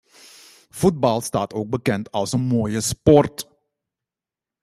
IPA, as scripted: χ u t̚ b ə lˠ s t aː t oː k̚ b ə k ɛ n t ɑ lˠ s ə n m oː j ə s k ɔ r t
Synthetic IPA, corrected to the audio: f u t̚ b ɑ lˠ s t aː t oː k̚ b ə k ɛ n t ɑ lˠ s ə n m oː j ə s p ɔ r t